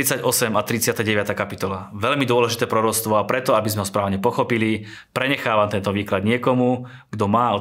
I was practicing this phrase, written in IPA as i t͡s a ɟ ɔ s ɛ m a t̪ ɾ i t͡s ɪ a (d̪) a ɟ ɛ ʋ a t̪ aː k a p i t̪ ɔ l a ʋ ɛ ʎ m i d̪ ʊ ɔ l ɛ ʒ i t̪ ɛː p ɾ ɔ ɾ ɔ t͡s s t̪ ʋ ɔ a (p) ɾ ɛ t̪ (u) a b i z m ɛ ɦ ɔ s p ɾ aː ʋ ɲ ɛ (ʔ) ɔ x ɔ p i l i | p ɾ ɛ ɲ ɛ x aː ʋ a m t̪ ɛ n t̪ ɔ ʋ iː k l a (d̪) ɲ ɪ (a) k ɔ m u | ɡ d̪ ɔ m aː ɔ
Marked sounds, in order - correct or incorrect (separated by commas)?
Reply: incorrect, correct, incorrect, incorrect, correct, incorrect